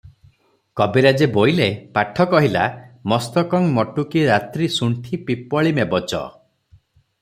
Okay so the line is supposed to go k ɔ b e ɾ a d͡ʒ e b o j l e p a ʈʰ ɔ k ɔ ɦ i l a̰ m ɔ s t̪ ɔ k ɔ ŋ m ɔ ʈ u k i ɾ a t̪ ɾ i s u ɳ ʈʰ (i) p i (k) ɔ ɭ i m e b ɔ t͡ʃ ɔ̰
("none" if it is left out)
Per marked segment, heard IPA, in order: i, p

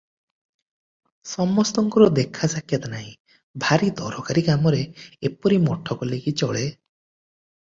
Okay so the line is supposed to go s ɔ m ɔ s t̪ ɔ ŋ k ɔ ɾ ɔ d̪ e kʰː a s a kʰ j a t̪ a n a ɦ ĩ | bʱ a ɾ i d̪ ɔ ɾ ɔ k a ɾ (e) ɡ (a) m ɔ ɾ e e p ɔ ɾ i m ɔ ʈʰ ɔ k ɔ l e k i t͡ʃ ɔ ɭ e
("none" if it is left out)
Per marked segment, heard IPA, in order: i, a

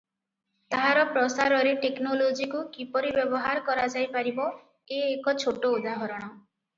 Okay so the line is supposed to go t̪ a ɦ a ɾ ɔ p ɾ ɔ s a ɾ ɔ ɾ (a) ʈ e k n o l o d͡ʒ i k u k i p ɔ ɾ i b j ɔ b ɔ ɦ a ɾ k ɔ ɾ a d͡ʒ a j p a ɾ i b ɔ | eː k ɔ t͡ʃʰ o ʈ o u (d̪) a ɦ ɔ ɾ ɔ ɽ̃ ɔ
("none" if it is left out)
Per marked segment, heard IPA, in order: e, d̪

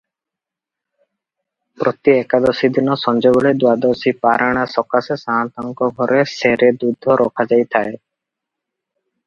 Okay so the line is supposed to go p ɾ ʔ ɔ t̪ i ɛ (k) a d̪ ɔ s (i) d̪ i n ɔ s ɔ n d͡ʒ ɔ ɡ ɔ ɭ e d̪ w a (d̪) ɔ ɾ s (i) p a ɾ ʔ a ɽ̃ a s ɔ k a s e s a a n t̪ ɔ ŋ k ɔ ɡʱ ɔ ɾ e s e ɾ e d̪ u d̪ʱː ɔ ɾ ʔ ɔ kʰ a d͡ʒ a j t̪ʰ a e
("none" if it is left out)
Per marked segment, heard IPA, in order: k, i, d̪, i

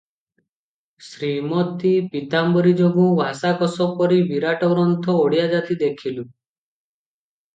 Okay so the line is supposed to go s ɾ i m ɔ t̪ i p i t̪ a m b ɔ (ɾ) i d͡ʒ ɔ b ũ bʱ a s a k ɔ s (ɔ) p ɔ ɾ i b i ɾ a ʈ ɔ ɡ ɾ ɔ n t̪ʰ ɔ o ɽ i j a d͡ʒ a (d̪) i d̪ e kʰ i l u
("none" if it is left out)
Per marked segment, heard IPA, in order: ɾ, ɔ, t̪

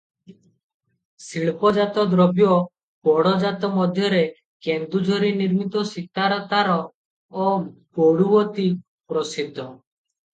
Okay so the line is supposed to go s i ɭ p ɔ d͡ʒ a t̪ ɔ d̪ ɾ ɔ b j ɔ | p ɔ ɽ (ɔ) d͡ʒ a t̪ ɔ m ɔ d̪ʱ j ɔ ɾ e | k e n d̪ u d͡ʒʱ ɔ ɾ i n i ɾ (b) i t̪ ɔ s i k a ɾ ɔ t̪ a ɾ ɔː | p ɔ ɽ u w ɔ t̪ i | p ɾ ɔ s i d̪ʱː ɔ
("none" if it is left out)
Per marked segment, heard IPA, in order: ɔ, m

